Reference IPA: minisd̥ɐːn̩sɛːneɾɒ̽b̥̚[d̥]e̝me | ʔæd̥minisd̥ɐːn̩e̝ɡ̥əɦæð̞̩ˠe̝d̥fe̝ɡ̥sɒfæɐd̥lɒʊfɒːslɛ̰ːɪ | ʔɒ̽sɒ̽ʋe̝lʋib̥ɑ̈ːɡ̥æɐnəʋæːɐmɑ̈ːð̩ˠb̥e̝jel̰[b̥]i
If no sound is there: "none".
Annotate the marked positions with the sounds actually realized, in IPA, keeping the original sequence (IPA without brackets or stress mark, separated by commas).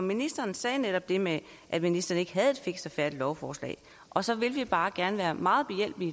d̥, b̥